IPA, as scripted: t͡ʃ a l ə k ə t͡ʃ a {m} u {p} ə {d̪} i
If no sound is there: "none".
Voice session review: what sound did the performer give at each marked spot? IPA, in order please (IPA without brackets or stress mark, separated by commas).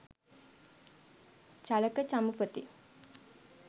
m, p, t̪